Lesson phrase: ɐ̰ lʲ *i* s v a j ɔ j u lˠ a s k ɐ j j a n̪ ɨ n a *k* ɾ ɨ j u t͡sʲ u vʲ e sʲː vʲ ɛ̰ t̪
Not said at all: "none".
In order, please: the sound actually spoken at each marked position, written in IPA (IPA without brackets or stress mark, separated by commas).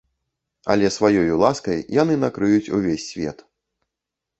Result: ɛ, k